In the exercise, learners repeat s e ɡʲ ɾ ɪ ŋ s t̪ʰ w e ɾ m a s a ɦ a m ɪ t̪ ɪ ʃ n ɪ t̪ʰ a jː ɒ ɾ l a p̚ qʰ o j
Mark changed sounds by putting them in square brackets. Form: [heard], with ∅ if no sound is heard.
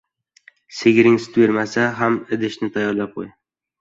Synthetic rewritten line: s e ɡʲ ɾ ɪ ŋ s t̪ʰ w e ɾ m a s a ɦ a m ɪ [d̪] ɪ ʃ n ɪ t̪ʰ a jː ɒ ɾ l a p̚ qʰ o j